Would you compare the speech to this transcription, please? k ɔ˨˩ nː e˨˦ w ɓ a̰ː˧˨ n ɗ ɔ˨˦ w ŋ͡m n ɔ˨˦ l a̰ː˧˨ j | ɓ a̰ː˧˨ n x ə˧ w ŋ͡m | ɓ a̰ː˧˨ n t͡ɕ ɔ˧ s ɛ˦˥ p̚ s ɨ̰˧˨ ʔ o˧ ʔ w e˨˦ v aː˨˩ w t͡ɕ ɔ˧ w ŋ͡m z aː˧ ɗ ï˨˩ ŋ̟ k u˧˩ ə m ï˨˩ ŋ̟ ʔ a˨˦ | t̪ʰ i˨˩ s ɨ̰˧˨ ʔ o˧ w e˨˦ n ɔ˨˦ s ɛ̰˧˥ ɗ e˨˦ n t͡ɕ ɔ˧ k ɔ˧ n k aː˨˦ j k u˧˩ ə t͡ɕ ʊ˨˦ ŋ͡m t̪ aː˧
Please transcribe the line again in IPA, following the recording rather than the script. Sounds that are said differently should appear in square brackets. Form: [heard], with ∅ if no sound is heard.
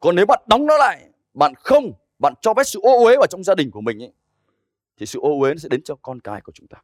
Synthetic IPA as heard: k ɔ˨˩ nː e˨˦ w ɓ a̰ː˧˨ n ɗ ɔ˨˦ w ŋ͡m n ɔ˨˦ l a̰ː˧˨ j | ɓ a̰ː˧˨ n x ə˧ w ŋ͡m | ɓ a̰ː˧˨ n t͡ɕ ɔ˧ [f] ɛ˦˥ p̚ s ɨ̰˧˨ ʔ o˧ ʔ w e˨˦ v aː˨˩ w t͡ɕ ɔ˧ w ŋ͡m z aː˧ ɗ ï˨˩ ŋ̟ k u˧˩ ə m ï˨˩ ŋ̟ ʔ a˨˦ | t̪ʰ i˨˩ s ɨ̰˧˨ ʔ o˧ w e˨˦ n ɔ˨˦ s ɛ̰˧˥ ɗ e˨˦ n t͡ɕ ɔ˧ k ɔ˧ n k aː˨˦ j k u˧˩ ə t͡ɕ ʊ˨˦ ŋ͡m t̪ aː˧